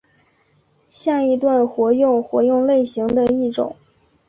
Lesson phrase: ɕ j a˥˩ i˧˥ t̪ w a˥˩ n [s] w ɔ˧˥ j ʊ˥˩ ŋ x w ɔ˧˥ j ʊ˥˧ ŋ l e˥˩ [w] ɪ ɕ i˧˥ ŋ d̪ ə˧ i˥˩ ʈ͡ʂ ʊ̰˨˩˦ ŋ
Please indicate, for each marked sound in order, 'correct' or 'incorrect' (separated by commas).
incorrect, incorrect